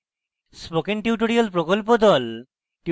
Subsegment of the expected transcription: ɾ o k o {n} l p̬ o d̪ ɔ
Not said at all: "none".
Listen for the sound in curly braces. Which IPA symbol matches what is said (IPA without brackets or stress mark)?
none